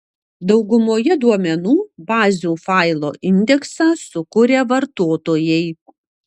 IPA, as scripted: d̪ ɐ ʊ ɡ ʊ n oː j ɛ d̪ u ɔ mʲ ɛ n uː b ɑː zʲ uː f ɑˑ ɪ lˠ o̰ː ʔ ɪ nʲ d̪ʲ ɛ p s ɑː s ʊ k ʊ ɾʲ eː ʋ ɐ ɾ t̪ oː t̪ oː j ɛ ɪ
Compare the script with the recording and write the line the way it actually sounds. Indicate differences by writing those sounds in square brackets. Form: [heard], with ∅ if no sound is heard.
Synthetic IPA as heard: d̪ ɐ ʊ ɡ ʊ [m] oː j ɛ d̪ u ɔ mʲ ɛ n uː b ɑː zʲ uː f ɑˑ ɪ lˠ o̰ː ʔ ɪ nʲ d̪ʲ ɛ [k] s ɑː s ʊ k ʊ ɾʲ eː ʋ ɐ ɾ t̪ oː t̪ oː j ɛ ɪ